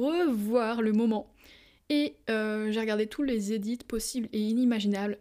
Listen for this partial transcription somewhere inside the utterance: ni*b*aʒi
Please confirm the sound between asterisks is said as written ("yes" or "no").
no